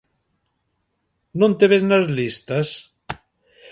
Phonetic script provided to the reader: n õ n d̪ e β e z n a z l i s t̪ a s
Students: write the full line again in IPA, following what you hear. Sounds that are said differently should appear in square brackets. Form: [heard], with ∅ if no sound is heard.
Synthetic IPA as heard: n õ n [t̪] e β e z n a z l i s t̪ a s